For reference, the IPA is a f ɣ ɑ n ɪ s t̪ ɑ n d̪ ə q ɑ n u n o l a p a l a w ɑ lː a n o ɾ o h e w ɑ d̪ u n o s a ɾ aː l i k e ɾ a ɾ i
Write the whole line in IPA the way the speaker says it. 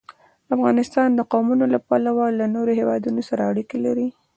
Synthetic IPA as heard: a f ɣ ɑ n ɪ s t̪ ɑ n d̪ ə q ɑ m u n o l a p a l a w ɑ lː a n o ɾ o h e w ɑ d̪ u n o s a ɾ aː ɽ i k e l a ɾ i

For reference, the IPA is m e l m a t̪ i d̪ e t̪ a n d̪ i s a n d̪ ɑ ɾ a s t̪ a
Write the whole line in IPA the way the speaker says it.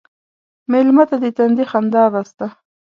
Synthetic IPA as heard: m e l m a t̪ a d̪ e t̪ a n d̪ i x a n d̪ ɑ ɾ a s t̪ a

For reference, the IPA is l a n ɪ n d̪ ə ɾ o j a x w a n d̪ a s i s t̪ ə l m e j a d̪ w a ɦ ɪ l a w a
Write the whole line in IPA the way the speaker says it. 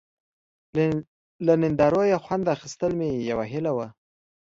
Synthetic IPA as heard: l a n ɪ n d̪ ɑ ɾ o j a x w a n d̪ a x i s t̪ ə l m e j a w a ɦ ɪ l a w a

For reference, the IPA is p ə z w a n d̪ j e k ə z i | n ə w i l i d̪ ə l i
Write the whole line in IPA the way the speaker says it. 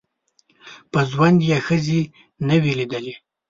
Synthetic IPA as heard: p ə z w a n d̪ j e x ə z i | n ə w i l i d̪ ə l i

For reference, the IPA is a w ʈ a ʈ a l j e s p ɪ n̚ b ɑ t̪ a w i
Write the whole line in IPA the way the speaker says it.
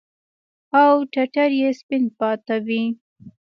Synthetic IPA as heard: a w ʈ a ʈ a ɾ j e s p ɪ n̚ p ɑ t̪ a w i

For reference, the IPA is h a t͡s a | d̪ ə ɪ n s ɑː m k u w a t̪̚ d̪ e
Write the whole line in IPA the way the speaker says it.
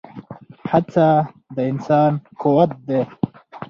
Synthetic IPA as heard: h a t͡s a | d̪ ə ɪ n s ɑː n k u w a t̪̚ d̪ e

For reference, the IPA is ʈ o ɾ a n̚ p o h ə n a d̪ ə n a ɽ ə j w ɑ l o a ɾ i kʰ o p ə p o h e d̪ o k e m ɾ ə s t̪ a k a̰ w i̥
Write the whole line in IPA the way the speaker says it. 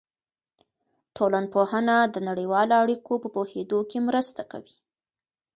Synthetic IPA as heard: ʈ o l a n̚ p o h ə n a d̪ ə n a ɽ ə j w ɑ l o a ɽ i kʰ o p ə p o h e d̪ o k e m ɾ ə s t̪ a k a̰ w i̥

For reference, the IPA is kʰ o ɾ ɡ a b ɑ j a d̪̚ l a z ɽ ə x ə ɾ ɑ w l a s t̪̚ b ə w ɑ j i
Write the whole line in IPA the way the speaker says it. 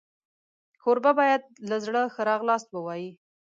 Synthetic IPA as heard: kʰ o ɾ b a b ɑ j a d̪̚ l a z ɽ ə x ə ɾ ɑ ɣ l ɑ s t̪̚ b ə w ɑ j i

